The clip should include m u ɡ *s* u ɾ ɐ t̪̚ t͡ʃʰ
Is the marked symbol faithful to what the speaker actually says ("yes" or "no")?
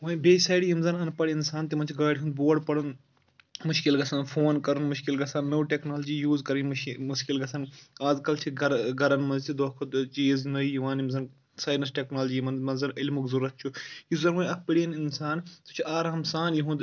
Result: no